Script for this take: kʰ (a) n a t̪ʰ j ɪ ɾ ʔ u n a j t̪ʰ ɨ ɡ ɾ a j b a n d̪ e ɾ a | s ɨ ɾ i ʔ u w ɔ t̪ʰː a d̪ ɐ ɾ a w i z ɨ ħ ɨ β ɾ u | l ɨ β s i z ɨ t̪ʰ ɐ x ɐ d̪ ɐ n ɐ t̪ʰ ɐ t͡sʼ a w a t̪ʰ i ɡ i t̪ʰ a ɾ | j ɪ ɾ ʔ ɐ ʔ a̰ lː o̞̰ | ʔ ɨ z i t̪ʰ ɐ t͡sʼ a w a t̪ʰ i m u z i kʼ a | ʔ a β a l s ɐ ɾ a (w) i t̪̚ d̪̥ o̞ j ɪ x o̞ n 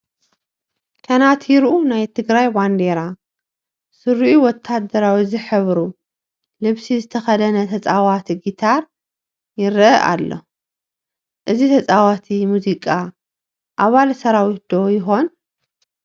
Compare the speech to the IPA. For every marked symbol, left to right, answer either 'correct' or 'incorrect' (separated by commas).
incorrect, correct